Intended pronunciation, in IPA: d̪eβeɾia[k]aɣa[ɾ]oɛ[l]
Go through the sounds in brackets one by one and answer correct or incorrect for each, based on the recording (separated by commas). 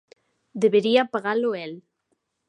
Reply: incorrect, incorrect, correct